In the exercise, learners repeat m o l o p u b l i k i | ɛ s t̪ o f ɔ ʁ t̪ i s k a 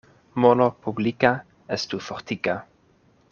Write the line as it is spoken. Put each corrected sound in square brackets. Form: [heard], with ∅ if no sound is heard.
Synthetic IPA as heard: m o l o p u b l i k [a] | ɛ s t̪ [u] f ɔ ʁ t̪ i [∅] k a